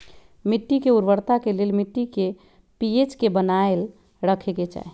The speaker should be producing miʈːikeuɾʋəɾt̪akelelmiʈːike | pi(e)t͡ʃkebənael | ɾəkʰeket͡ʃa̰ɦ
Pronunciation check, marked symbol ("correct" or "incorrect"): correct